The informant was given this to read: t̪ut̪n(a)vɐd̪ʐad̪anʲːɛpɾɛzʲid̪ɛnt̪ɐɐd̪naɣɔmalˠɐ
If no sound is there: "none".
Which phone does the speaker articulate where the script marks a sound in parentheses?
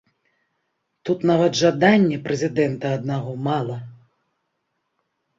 a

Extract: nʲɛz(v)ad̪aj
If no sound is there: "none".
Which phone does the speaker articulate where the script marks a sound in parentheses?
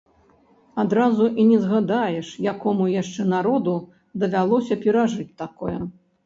ɣ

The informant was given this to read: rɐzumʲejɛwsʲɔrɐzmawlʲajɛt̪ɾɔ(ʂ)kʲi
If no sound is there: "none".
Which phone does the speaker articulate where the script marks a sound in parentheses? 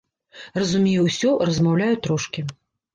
ʂ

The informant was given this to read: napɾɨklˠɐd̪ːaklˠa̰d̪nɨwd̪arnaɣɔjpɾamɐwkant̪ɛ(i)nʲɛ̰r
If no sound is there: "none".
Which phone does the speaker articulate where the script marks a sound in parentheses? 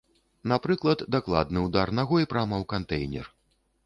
j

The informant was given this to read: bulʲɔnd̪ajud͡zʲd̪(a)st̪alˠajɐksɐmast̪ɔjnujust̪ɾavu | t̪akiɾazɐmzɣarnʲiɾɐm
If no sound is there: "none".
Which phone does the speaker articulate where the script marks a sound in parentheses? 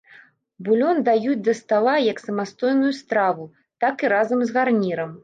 ɐ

